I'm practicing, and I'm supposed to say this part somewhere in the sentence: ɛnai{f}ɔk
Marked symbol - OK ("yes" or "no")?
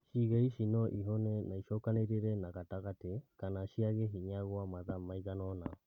no